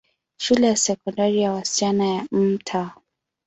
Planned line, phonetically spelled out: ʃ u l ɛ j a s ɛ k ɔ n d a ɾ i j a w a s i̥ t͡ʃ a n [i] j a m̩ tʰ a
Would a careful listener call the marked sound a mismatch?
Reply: yes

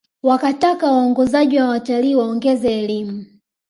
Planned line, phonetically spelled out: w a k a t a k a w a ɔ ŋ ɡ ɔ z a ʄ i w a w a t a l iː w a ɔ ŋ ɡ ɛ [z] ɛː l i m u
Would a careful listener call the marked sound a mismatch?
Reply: no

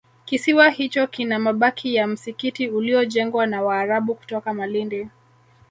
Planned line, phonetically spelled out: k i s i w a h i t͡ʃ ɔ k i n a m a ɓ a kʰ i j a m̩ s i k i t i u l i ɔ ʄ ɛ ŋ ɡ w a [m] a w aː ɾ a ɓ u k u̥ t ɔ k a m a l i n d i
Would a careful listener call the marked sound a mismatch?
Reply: yes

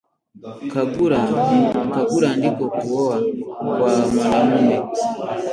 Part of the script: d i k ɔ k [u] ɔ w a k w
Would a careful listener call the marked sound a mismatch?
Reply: no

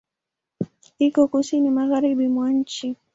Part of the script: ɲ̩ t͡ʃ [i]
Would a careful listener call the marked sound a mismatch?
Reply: no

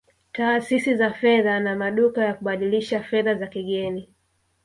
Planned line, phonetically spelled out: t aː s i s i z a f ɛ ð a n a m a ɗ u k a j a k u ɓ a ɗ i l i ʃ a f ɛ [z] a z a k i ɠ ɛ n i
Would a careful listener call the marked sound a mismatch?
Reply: yes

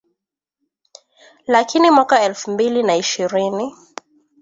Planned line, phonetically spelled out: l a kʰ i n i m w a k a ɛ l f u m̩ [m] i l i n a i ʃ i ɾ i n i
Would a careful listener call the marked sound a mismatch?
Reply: yes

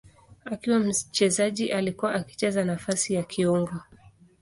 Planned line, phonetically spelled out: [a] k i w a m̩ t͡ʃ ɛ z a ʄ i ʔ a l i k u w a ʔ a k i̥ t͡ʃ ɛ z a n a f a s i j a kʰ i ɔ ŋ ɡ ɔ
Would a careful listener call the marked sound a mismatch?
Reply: no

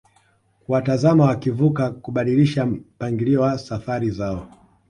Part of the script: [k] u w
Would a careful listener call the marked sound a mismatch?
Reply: no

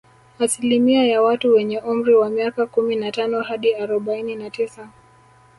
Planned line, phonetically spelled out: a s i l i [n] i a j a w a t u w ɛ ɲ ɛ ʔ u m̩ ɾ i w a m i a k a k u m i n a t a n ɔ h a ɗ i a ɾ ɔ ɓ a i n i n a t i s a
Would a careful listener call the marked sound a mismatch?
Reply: yes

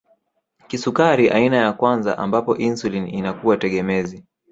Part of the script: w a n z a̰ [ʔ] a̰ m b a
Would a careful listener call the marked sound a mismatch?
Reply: no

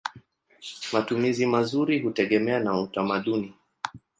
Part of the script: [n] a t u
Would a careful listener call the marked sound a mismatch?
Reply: yes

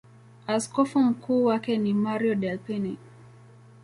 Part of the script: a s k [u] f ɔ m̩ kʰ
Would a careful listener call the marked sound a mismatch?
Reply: yes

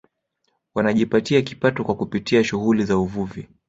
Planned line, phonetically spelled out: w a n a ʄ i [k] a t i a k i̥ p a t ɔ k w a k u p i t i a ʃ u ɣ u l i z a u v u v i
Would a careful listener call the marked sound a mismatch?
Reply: yes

